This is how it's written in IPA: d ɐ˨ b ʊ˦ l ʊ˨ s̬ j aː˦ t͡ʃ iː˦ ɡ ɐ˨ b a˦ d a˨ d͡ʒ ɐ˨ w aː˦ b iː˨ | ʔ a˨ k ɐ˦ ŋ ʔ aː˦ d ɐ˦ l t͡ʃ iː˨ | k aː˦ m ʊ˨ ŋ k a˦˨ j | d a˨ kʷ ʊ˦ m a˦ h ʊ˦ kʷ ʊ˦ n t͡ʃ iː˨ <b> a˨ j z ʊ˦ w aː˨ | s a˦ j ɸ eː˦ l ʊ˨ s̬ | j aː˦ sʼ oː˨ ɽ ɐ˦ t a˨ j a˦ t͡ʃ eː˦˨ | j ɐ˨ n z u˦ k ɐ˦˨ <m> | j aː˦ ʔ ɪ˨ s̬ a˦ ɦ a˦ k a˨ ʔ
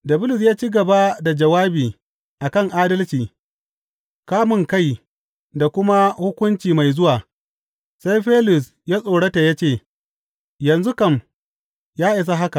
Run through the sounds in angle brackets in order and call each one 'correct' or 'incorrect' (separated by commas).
incorrect, correct